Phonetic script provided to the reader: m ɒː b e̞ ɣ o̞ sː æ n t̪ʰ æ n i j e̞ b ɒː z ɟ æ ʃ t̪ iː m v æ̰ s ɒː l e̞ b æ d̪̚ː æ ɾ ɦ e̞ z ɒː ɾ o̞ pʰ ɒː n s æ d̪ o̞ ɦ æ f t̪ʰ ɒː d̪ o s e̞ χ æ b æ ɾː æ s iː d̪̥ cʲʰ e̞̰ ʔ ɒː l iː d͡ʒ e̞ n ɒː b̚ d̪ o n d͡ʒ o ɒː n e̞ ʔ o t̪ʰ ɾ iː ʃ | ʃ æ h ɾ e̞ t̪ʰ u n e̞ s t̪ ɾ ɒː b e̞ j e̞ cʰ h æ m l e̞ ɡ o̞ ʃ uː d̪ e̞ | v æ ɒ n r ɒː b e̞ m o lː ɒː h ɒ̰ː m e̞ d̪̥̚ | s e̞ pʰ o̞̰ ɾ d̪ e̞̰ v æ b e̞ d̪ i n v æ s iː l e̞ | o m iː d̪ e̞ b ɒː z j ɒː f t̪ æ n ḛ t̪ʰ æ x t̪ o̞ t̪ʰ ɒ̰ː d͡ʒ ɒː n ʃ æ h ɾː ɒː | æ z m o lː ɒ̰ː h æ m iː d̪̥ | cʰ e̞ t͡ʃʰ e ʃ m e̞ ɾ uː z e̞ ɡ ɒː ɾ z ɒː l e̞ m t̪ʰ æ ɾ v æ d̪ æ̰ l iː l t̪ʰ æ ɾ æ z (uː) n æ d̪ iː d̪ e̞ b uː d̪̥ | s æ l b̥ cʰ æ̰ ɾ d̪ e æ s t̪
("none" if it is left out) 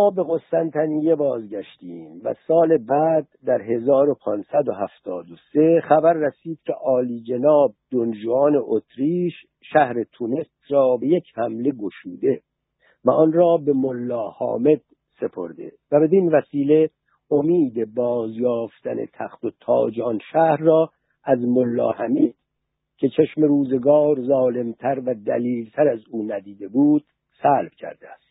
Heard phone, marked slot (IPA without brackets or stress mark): uː